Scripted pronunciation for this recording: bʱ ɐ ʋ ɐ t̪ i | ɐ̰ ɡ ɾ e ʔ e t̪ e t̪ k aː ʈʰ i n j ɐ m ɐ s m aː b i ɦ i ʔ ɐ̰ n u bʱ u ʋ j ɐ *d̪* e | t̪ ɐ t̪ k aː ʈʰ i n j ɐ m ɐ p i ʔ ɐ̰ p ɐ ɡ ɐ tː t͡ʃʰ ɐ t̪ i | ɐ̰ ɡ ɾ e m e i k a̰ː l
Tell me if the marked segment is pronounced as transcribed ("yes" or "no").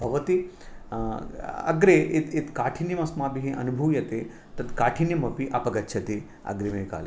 no